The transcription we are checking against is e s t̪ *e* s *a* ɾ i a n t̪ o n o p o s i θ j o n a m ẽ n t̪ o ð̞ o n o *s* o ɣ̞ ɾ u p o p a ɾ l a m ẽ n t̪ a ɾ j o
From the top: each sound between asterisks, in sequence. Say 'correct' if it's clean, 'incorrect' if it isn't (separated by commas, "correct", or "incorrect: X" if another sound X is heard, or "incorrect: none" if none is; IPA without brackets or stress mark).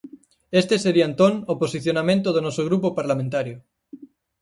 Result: correct, incorrect: e, correct